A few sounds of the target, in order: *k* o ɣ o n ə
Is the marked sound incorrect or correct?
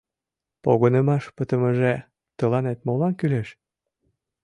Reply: incorrect: p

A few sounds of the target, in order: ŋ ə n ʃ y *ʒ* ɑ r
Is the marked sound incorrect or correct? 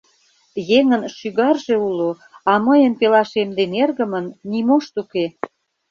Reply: incorrect: ɣ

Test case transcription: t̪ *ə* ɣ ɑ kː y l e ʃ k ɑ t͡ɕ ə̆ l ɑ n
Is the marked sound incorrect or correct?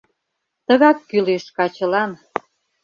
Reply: correct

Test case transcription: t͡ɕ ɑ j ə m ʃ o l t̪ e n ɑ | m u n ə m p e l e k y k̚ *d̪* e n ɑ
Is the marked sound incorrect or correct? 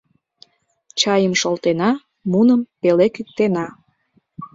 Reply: incorrect: t̪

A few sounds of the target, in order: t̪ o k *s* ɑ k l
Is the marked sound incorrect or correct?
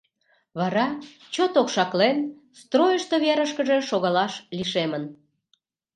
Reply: incorrect: ʃ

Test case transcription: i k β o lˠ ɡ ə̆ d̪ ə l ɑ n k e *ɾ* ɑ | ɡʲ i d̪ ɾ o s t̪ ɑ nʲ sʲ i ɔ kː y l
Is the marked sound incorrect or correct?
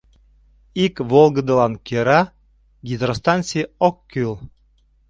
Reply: correct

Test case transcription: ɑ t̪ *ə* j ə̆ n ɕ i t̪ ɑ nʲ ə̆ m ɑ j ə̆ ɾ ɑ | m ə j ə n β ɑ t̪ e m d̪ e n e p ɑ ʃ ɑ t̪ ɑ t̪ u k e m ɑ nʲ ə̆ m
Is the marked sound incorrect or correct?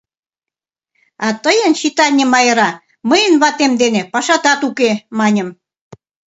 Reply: correct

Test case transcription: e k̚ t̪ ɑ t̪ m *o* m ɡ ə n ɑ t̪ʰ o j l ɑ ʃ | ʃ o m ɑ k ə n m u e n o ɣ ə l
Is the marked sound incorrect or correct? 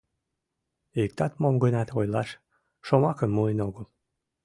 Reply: correct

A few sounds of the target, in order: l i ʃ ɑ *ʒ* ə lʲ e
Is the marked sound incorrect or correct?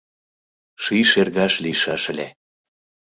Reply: incorrect: ʃ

